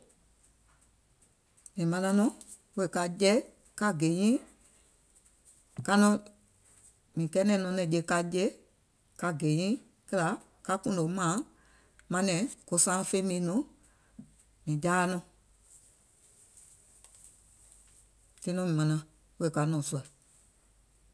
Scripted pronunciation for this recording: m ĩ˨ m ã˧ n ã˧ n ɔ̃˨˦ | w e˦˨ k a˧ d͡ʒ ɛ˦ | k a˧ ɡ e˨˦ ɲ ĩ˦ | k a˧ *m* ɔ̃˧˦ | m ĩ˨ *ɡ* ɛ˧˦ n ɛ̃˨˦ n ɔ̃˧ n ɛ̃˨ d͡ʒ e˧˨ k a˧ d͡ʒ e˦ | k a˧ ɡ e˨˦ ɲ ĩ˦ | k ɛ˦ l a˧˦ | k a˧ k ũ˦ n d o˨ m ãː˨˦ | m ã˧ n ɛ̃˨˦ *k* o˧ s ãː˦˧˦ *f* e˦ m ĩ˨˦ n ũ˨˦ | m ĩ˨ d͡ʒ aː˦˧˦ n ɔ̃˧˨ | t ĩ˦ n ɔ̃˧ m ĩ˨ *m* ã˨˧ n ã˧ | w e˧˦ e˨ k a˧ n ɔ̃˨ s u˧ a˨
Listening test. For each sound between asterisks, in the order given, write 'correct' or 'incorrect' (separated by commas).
incorrect, incorrect, correct, correct, correct